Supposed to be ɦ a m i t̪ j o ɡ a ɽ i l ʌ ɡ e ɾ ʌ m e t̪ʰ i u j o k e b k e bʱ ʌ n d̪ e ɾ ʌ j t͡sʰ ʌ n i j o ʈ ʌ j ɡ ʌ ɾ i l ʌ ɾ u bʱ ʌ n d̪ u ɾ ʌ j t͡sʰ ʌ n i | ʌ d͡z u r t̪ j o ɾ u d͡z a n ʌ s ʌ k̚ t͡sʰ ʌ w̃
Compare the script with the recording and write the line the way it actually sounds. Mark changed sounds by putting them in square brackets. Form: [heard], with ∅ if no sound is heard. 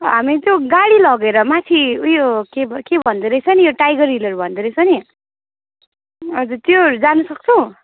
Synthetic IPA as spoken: ɦ a m i t̪ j o ɡ a ɽ i l ʌ ɡ e ɾ ʌ m [a] t̪ʰ i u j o k e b k e bʱ ʌ n d̪ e ɾ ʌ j t͡sʰ ʌ n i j o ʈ [a] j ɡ ʌ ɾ i l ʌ ɾ u bʱ ʌ n d̪ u ɾ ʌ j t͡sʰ ʌ n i | ʌ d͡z u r t̪ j o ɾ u d͡z a n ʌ s ʌ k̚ t͡sʰ ʌ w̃